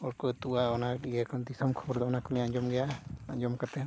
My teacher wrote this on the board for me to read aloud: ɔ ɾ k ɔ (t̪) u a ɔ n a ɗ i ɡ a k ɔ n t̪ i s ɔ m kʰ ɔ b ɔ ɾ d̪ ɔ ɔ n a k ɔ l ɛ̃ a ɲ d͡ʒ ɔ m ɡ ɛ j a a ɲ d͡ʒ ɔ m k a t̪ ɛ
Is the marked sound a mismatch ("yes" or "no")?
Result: no